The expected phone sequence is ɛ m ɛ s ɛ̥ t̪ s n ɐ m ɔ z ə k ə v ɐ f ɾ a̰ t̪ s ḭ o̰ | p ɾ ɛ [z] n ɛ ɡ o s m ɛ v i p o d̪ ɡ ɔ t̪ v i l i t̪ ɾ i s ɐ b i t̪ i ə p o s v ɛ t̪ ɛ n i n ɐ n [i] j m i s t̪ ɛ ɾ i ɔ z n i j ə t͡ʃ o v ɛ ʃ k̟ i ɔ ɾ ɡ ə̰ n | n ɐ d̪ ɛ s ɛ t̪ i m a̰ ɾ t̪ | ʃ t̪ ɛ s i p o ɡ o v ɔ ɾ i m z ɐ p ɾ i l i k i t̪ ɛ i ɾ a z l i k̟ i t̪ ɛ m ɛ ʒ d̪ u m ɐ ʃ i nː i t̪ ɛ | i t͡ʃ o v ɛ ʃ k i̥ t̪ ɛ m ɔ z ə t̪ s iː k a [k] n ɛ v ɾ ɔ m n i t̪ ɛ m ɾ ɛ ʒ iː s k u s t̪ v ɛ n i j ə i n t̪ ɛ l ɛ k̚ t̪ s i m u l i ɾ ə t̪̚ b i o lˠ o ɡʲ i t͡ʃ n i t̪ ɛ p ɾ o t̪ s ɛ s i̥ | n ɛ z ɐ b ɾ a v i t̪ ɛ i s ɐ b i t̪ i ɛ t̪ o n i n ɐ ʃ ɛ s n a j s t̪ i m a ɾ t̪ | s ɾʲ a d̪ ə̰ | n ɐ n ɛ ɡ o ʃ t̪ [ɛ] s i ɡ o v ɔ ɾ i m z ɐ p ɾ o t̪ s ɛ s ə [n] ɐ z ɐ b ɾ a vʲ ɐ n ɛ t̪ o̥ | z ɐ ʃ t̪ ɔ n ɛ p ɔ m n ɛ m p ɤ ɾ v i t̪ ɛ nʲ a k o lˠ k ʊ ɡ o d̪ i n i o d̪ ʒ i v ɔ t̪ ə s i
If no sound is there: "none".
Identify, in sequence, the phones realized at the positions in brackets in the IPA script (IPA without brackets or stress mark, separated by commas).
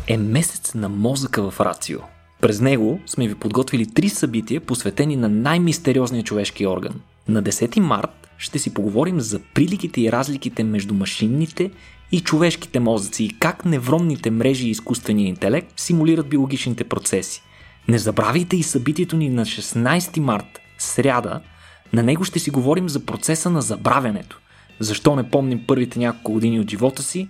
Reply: z, a, k, ɛ, n